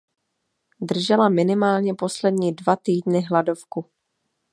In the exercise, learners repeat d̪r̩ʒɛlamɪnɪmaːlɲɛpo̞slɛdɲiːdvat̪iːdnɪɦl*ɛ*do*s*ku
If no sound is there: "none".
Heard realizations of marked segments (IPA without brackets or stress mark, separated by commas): a, f